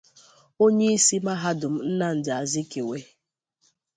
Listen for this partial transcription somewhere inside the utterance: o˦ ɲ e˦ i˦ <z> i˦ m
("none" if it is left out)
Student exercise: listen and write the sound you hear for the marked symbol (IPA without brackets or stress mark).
s